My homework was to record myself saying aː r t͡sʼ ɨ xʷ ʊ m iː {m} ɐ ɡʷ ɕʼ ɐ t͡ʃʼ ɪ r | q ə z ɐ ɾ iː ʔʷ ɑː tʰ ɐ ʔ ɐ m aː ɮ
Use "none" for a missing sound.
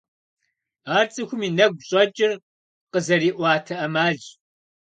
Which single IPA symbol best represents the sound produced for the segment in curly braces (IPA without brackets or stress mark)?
n